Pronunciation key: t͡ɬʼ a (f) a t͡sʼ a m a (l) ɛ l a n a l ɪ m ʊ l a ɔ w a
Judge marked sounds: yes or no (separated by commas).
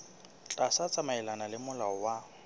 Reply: no, no